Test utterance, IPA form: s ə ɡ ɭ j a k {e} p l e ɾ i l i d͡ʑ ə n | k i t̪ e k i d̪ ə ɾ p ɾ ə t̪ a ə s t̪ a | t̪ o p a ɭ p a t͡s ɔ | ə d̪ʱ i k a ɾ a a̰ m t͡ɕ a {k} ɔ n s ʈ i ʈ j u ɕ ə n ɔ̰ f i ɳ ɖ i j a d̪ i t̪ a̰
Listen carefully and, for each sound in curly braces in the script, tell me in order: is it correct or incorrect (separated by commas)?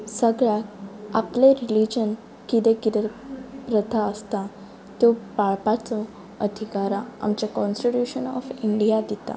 incorrect, correct